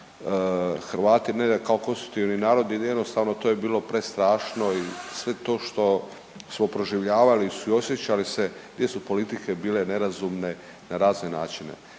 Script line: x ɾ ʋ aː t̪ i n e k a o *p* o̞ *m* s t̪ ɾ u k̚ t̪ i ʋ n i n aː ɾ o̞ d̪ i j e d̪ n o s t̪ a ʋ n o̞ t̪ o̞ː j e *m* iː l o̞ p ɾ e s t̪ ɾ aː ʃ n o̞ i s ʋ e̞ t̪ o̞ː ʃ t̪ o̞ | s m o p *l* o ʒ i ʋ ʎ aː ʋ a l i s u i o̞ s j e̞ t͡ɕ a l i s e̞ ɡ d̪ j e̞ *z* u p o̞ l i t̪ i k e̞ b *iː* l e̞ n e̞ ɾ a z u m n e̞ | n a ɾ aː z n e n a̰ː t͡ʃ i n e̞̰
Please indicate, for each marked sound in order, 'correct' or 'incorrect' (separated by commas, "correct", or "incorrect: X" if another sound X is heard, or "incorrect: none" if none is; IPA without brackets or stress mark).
incorrect: k, incorrect: n, incorrect: b, incorrect: ɾ, incorrect: s, correct